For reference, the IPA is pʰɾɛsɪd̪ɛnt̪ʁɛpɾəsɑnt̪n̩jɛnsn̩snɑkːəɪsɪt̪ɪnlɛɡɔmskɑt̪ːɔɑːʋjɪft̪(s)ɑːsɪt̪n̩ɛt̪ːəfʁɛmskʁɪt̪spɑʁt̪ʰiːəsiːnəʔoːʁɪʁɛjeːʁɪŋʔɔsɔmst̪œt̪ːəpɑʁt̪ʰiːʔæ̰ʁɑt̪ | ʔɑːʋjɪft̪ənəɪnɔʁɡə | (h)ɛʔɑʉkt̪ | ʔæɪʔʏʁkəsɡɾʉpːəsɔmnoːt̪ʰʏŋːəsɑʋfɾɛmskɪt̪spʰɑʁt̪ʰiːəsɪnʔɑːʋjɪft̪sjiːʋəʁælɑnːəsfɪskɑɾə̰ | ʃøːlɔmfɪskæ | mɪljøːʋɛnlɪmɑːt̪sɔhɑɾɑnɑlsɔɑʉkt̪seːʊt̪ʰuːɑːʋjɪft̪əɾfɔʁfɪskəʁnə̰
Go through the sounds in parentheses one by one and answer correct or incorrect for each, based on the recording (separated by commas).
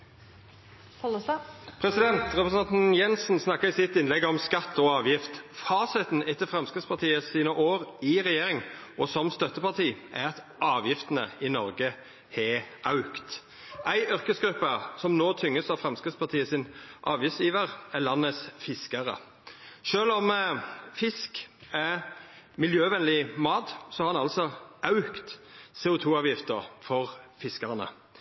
incorrect, correct